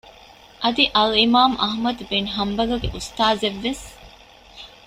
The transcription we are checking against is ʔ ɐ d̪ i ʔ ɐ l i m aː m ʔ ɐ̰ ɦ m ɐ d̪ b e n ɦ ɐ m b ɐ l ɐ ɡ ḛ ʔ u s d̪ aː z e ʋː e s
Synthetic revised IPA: ʔ ɐ d̪ i ʔ ɐ l i m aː m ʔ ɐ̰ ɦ m ɐ d̪ b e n ɦ ɐ m b ɐ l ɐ ɡ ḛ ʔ u s t̪ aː z e ʋː e s